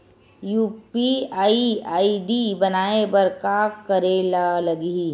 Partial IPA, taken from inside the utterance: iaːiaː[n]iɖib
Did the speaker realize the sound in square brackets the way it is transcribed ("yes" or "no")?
no